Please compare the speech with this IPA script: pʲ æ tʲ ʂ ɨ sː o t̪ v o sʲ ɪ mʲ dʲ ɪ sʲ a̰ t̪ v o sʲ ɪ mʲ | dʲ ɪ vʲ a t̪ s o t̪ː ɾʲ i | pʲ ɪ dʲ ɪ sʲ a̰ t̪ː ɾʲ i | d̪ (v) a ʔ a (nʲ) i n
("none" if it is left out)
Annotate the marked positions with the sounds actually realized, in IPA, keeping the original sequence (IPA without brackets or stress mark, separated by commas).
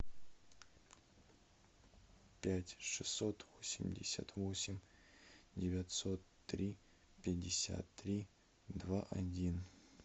v, dʲ